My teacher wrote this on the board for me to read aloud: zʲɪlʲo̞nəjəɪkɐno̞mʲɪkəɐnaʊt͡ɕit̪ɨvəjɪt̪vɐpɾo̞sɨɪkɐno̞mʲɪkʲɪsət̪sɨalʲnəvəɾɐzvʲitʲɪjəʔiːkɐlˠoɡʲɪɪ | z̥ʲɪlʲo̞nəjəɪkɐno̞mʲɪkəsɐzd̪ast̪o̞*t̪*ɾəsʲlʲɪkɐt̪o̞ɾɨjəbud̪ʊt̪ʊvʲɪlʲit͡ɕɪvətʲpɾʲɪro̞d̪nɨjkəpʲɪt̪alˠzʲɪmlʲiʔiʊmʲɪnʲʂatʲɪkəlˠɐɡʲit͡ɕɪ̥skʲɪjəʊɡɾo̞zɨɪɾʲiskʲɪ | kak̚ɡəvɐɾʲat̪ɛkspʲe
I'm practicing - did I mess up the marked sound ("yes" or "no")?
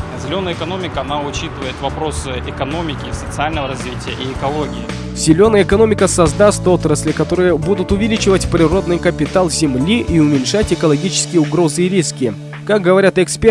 no